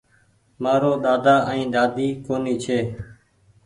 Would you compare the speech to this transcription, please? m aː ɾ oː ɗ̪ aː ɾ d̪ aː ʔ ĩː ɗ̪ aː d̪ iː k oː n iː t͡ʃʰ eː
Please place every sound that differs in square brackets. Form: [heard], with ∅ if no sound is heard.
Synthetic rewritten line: m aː ɾ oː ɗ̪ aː [∅] d̪ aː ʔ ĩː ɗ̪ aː d̪ iː k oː n iː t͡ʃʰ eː